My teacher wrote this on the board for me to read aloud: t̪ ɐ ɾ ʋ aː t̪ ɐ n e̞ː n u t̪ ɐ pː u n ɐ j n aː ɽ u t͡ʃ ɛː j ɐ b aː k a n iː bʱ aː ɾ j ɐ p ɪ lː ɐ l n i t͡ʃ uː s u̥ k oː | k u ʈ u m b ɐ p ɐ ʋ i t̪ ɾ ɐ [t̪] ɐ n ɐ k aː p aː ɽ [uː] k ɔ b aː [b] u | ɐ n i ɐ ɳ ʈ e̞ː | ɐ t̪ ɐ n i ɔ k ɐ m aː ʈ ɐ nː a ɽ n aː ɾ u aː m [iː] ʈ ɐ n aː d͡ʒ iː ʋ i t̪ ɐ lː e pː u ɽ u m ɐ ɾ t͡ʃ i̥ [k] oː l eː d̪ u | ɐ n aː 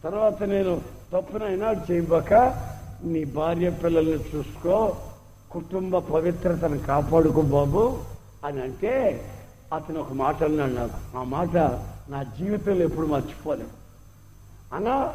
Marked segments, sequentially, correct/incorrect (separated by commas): correct, incorrect, correct, incorrect, incorrect